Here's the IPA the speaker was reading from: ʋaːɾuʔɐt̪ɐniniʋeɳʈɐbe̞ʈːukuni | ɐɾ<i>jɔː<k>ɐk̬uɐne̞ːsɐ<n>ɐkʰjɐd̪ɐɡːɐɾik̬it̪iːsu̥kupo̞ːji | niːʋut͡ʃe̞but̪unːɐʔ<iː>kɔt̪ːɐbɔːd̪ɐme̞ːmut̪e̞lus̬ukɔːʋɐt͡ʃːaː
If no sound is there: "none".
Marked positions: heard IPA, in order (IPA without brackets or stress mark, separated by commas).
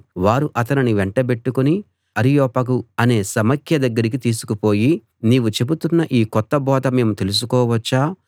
i, p, m, iː